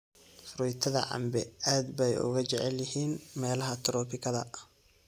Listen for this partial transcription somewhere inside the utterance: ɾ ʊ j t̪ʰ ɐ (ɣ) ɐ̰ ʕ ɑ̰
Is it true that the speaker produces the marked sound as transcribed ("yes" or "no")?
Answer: no